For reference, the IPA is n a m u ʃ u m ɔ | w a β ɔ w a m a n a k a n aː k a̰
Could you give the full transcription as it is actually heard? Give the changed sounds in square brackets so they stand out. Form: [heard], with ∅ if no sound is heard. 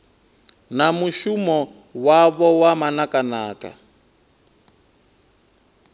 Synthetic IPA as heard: n a m u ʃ u m ɔ | w a β ɔ w a m a n a k a n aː k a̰